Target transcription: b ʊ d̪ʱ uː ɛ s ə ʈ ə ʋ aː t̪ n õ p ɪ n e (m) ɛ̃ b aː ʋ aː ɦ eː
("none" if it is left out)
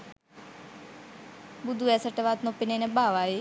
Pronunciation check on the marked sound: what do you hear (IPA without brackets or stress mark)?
n